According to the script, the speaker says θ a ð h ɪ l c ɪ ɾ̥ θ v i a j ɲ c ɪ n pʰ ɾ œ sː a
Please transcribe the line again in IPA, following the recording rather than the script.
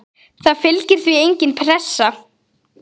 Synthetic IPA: θ a ð f ɪ l c ɪ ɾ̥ θ v i e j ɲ c ɪ n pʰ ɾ ɛ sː a